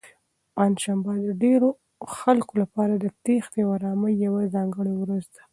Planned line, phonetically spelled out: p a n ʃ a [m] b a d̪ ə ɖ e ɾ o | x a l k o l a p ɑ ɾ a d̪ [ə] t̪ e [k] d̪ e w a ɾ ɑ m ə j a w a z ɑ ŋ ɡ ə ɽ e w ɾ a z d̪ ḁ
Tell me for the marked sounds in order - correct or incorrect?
correct, correct, incorrect: x

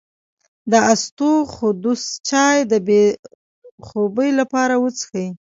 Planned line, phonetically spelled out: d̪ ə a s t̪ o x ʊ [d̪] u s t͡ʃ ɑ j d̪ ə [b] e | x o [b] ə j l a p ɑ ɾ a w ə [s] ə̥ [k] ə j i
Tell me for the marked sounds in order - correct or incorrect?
correct, correct, correct, incorrect: t͡s, incorrect: x

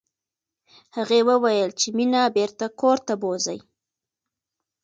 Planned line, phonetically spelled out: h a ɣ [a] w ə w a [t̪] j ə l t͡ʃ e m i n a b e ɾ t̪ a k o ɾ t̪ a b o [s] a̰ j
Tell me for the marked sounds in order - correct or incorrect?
incorrect: e, incorrect: none, incorrect: z

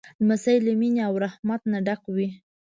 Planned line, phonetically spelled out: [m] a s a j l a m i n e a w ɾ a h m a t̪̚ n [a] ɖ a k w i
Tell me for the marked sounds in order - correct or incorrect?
correct, correct

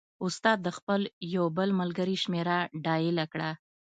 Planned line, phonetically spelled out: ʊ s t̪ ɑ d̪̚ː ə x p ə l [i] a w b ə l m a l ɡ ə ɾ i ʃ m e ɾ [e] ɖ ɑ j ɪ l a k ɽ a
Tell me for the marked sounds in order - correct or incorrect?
incorrect: j, incorrect: a

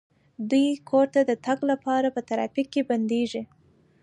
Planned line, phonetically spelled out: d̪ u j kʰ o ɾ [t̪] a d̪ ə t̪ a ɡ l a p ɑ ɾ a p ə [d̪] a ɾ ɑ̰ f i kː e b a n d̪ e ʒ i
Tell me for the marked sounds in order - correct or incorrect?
correct, incorrect: t̪

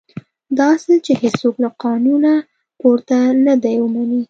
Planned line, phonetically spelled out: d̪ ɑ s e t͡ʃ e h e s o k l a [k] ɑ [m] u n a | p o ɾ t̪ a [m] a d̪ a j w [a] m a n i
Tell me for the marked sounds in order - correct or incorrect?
incorrect: q, incorrect: n, incorrect: n, incorrect: ə

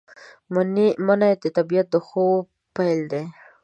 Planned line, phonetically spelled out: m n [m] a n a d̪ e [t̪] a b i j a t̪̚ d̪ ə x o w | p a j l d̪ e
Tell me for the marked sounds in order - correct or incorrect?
correct, correct

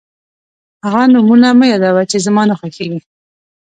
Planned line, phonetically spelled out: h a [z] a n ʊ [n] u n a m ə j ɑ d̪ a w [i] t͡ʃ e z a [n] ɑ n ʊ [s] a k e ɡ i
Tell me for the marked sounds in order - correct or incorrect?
incorrect: ɣ, incorrect: m, incorrect: a, incorrect: m, incorrect: x

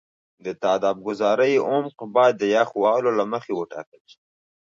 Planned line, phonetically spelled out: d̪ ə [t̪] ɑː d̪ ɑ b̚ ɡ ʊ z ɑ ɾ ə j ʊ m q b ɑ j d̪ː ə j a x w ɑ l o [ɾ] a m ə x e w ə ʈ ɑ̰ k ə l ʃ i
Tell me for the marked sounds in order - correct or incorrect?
correct, incorrect: l

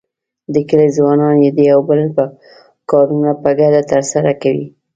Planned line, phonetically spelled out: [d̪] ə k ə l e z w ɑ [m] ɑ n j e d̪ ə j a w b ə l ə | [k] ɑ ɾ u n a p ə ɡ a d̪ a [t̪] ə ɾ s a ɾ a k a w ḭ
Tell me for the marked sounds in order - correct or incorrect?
correct, incorrect: n, correct, correct

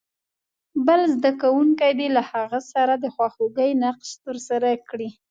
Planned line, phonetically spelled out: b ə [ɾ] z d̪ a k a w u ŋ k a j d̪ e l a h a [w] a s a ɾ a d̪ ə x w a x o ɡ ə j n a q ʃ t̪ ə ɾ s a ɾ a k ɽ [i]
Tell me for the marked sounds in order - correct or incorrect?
incorrect: l, incorrect: ɣ, correct

